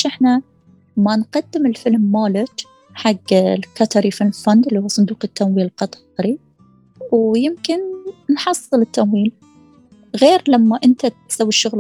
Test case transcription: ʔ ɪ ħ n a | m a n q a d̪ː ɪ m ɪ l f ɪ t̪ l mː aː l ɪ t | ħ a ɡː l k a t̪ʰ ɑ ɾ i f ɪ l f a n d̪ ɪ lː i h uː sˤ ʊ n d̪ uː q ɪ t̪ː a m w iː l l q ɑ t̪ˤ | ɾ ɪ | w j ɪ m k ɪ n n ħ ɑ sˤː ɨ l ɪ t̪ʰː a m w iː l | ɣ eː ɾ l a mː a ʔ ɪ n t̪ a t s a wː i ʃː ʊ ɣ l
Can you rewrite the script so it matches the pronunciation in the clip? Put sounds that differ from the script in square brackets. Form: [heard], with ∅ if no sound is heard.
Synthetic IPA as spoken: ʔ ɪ ħ n a | m a n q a d̪ː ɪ m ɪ l f ɪ [∅] l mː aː l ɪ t | ħ a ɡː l k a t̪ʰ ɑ ɾ i f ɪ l f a n d̪ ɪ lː i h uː sˤ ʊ n d̪ uː q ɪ t̪ː a m w iː l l q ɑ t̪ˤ | ɾ [i] | w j ɪ m k ɪ n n ħ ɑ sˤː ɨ l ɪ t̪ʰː a m w iː l | ɣ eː ɾ l a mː a ʔ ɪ n t̪ a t s a wː i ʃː ʊ ɣ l